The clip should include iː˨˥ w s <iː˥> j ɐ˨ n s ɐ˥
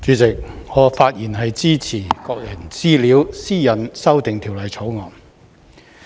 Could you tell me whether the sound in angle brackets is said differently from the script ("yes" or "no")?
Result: no